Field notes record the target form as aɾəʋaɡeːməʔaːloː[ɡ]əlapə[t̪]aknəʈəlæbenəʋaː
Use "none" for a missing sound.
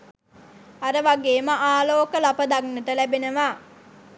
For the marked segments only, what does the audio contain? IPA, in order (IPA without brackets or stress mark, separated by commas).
k, d̪